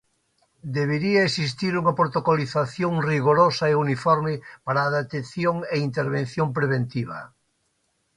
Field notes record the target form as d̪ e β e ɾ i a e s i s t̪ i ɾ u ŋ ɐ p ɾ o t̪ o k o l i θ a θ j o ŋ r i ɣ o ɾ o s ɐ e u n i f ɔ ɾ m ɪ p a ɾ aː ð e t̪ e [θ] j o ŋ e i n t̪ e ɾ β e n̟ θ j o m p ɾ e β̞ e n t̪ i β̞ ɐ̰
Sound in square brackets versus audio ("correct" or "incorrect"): correct